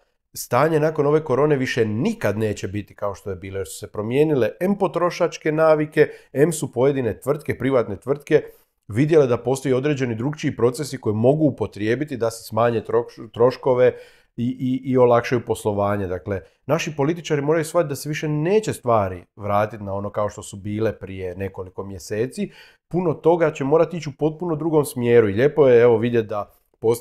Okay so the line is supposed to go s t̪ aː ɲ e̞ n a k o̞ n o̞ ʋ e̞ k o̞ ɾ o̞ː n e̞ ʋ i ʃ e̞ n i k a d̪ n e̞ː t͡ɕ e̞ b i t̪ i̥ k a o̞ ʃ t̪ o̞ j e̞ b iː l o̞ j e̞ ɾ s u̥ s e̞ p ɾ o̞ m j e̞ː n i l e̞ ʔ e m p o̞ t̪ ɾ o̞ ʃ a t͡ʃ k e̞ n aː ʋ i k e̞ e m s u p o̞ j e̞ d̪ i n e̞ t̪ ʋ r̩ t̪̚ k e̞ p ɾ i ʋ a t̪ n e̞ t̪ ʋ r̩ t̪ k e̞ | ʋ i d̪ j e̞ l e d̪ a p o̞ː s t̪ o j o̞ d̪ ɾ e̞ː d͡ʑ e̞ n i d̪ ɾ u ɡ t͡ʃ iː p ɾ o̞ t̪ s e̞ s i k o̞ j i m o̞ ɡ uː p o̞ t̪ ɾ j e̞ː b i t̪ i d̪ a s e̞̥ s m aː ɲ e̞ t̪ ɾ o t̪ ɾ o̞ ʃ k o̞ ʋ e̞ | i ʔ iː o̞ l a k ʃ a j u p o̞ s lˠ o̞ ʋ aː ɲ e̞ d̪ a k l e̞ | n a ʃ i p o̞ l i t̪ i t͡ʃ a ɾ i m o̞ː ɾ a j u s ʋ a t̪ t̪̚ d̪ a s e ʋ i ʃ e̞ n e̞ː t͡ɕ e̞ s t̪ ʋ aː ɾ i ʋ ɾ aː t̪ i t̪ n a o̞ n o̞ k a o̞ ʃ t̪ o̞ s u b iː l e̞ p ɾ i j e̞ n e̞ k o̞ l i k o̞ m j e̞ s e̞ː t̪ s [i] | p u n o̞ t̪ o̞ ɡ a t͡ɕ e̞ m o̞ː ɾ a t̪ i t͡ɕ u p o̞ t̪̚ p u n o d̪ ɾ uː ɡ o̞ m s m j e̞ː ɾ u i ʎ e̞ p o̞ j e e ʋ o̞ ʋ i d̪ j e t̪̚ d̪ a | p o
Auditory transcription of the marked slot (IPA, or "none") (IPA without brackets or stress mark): i